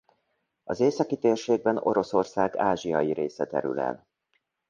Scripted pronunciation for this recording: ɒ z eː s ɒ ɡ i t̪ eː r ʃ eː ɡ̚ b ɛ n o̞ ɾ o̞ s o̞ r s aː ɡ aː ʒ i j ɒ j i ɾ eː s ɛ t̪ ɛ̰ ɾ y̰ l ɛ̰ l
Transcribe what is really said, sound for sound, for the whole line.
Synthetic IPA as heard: ɒ z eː s ɒ k i t̪ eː r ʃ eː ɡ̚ b ɛ n o̞ ɾ o̞ s o̞ r s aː ɡ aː ʒ i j ɒ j i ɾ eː s ɛ t̪ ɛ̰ ɾ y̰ l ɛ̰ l